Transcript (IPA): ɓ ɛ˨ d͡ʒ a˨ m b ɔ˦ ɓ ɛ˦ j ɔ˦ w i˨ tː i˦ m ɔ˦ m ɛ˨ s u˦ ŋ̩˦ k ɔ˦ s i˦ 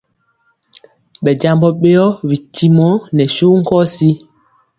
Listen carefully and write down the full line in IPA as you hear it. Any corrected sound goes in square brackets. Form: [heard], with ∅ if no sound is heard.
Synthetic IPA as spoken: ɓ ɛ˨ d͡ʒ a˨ m b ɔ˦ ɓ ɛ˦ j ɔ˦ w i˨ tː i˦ m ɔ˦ [n] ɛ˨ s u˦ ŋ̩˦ k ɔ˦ s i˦